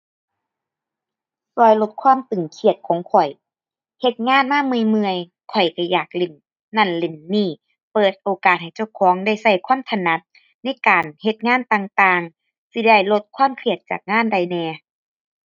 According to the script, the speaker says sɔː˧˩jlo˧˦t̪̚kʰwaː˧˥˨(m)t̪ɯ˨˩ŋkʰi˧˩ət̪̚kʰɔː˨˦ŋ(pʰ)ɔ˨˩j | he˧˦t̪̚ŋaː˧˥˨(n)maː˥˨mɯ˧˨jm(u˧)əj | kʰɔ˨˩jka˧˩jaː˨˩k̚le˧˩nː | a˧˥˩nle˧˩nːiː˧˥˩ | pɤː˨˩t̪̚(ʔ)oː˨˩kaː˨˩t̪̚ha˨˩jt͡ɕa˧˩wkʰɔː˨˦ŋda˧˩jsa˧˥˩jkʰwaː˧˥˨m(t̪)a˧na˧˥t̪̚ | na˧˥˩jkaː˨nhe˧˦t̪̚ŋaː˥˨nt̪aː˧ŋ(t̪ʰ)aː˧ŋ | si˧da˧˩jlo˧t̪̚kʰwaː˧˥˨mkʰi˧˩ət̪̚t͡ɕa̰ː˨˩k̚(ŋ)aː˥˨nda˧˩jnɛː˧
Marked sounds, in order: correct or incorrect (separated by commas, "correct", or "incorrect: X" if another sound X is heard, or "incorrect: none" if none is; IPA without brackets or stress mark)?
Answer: correct, incorrect: kʰ, correct, incorrect: ɯ˧, correct, incorrect: t̪ʰ, incorrect: t̪, correct